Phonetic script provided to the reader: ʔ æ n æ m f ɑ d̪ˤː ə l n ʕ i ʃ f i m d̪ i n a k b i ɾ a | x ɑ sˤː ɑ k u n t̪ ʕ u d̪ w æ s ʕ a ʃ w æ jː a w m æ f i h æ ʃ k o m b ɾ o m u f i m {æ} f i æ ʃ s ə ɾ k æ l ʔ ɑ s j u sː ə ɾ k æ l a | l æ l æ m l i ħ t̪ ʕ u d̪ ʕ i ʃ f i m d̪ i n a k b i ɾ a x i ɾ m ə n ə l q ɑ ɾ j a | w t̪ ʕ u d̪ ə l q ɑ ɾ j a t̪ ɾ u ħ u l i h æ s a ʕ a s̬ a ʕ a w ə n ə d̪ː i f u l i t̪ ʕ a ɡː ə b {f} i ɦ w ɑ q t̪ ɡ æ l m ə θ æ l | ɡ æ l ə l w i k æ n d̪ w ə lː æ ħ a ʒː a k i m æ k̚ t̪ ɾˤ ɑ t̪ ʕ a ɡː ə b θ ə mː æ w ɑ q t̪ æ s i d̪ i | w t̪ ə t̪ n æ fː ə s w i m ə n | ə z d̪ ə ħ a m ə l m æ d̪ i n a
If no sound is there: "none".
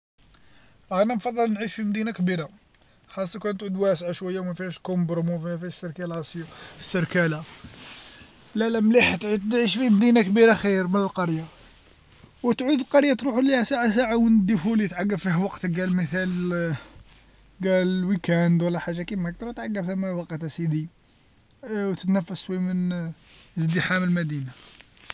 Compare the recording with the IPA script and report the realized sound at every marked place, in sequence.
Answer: æ, f

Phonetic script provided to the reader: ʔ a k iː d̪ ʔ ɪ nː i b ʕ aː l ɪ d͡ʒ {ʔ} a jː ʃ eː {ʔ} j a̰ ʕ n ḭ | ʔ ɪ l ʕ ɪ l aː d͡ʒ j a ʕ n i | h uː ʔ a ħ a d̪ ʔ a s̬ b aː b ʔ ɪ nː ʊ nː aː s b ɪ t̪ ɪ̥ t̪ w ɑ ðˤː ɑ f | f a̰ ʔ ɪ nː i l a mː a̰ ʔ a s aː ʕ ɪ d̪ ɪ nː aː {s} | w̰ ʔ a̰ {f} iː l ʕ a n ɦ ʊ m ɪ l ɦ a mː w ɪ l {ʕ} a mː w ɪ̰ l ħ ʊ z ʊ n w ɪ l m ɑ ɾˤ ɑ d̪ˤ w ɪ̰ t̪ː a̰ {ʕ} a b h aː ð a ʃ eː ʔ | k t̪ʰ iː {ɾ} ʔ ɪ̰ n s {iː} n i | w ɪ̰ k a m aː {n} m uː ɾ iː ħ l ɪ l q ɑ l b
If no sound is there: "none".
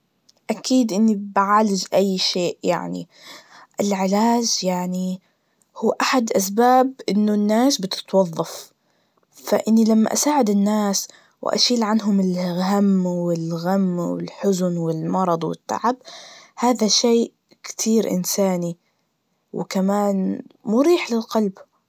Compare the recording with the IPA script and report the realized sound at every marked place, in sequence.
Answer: ʔ, ʔ, s, ʃ, ɣ, ʕ, ɾ, aː, n

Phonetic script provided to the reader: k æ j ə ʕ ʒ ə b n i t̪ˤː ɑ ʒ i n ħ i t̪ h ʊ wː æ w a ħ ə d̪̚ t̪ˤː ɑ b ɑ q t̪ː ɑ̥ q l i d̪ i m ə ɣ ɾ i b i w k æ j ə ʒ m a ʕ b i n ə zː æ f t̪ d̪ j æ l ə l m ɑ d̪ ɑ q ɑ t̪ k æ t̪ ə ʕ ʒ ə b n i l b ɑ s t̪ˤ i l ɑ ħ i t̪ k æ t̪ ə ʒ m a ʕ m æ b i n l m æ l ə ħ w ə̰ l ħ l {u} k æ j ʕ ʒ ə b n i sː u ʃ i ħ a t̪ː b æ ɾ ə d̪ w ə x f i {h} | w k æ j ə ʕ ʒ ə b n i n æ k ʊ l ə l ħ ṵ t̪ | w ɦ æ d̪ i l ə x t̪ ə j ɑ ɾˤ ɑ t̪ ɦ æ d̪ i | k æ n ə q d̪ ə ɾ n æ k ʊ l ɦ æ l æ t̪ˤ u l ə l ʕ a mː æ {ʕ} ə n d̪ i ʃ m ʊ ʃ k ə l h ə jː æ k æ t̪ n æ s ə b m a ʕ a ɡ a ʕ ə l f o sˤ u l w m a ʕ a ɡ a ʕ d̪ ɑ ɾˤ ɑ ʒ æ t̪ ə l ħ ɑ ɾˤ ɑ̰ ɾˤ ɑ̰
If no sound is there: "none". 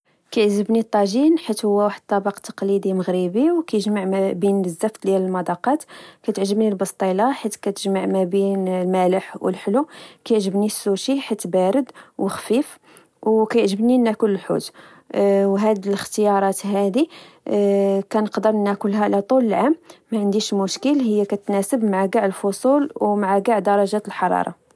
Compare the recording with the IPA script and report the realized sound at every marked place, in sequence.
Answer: u, f, ʕ

